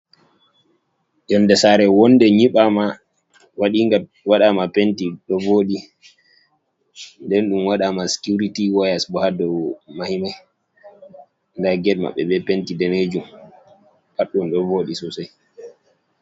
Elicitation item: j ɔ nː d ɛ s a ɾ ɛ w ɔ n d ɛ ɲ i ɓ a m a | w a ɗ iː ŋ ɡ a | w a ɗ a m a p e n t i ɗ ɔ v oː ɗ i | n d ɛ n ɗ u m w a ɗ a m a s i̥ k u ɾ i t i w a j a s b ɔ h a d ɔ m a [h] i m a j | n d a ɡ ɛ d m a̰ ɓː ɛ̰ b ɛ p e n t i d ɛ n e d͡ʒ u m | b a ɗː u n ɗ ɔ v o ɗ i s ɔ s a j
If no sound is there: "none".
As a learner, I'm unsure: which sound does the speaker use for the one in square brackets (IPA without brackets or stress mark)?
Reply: h